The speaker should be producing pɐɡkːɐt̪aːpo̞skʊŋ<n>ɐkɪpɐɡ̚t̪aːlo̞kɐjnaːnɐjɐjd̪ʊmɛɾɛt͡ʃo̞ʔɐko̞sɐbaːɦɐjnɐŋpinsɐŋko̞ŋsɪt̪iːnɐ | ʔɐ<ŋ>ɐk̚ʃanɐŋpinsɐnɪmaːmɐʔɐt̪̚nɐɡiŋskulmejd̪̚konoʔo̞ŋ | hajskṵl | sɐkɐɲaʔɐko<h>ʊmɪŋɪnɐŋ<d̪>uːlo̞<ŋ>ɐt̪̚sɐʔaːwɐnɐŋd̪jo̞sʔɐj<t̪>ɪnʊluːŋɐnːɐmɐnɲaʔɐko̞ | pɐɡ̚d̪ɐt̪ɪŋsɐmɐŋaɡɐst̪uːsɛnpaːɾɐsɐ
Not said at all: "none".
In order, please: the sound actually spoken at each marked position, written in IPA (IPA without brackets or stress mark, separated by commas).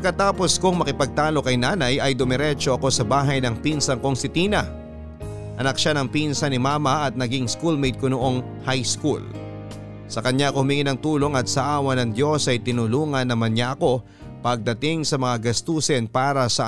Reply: m, n, h, t̪, ŋ, t̪